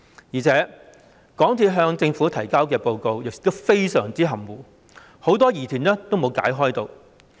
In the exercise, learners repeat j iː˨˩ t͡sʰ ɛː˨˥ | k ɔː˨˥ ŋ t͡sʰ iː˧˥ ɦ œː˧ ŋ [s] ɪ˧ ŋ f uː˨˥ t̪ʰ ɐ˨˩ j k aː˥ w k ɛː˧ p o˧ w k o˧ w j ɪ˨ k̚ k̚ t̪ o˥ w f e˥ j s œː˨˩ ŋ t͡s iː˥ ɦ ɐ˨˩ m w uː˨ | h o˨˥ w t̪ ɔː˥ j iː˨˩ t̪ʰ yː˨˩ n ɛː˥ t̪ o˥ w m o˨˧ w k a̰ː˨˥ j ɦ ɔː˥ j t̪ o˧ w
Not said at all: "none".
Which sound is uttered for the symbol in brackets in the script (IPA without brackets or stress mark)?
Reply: t͡s